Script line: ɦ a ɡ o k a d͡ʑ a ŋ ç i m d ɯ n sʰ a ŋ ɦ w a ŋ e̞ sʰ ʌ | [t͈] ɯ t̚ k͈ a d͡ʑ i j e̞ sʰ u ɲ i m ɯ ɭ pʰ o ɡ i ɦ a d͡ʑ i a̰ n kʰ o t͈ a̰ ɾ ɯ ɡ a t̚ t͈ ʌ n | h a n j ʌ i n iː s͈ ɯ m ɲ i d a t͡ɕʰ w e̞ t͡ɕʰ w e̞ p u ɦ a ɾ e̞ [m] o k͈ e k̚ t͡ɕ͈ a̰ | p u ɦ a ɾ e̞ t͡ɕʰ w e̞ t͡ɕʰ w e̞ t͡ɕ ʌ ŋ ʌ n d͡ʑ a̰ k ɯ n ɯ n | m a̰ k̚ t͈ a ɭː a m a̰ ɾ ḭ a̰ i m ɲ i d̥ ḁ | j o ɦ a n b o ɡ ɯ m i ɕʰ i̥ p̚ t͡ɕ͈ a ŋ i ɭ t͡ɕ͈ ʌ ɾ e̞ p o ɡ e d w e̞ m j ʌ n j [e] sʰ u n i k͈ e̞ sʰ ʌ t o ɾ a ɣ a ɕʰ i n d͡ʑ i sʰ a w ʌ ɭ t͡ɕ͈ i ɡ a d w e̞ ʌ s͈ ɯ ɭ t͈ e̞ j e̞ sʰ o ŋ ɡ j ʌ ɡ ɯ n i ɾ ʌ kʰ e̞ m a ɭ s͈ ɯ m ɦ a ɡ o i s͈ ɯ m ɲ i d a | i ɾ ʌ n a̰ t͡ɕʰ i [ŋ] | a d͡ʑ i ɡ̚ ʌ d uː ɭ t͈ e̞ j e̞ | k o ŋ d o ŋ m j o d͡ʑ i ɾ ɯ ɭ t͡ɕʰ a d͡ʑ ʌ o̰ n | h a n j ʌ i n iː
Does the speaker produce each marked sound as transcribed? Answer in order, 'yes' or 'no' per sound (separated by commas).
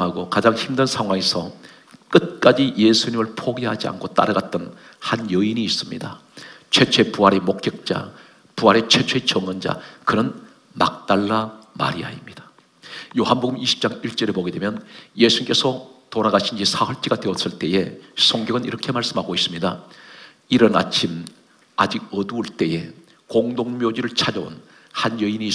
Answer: no, yes, yes, no